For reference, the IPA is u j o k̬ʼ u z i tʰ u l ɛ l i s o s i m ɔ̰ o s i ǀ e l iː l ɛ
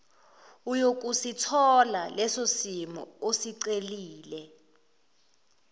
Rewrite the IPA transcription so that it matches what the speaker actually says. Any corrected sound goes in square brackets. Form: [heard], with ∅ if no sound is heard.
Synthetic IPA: u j o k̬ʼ u [s] i tʰ [ɔ] l [a] l [ɛ] s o s i m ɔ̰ o s i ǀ e l iː l ɛ